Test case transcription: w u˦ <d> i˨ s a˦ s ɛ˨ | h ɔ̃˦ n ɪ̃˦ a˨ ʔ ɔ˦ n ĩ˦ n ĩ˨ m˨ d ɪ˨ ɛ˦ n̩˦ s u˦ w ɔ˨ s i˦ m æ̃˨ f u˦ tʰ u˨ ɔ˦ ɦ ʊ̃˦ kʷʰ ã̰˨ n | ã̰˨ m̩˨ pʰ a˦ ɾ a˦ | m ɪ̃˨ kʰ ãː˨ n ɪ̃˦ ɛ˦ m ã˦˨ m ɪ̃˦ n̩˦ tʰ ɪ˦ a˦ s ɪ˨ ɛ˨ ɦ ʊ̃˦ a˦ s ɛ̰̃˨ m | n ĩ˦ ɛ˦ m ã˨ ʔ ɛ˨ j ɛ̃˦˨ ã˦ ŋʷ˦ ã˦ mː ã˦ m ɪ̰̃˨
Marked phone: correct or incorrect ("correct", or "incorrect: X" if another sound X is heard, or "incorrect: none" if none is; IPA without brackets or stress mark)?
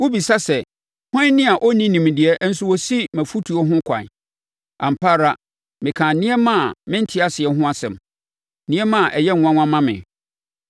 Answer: incorrect: b